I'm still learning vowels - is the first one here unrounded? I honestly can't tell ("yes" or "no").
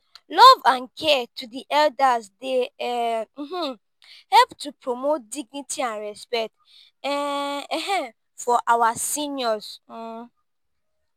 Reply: no